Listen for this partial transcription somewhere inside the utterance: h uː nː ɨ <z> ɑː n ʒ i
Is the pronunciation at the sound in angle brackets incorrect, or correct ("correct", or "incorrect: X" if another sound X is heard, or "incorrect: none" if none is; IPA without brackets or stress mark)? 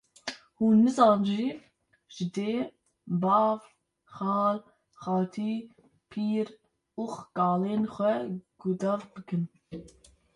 correct